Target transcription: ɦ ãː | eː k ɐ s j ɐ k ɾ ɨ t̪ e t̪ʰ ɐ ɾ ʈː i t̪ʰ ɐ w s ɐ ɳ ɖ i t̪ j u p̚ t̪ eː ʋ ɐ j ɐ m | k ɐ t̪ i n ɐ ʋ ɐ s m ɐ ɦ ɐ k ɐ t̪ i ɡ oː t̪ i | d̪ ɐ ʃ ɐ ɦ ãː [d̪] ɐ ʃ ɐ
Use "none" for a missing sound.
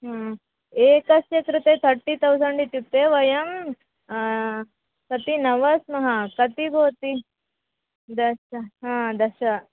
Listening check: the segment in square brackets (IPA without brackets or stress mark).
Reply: d̪